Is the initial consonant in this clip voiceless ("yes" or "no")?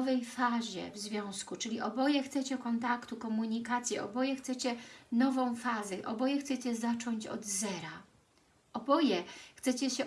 no